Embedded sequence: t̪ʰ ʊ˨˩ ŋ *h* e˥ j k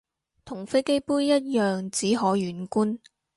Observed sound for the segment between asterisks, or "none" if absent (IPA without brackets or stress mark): f